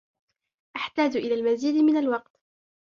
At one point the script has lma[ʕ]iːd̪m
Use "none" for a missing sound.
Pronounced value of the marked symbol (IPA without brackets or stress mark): z